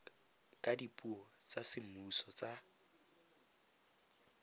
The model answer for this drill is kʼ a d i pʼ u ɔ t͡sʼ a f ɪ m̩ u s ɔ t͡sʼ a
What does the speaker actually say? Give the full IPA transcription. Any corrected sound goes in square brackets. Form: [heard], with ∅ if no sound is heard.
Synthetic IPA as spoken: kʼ a d i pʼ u ɔ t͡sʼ a [s] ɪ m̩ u s ɔ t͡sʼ a